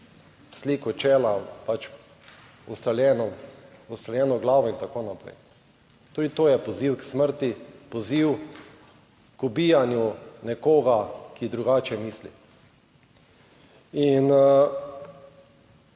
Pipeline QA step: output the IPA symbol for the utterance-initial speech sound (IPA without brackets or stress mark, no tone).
s